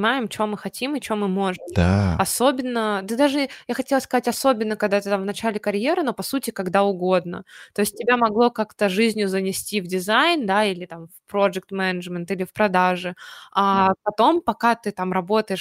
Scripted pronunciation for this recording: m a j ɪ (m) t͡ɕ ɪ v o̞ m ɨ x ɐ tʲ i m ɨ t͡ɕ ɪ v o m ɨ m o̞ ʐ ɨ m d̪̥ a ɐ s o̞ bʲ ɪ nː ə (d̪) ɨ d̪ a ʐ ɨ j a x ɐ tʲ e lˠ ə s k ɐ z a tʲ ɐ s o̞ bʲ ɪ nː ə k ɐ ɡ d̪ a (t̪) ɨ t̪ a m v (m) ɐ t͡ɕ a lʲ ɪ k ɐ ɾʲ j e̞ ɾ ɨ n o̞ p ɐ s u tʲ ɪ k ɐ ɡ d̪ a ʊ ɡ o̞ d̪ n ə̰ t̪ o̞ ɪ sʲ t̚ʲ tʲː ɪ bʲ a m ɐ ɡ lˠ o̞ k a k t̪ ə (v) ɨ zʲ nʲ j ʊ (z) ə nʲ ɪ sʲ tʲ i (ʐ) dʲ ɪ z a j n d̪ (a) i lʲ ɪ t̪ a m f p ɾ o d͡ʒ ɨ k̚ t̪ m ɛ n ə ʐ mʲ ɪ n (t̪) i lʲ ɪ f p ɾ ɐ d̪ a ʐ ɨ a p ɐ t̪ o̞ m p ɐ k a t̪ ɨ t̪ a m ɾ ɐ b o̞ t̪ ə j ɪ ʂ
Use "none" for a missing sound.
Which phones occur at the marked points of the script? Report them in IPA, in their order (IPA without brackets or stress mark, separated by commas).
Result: m, d̪, t̪, n, ʐ, z, v, a, t̪